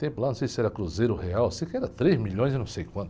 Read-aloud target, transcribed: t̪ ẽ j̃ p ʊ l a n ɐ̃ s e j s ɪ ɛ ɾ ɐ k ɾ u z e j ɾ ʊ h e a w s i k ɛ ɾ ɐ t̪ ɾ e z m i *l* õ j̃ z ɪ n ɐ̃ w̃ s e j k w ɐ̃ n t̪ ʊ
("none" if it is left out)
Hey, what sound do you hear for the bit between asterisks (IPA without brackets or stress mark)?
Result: ʎ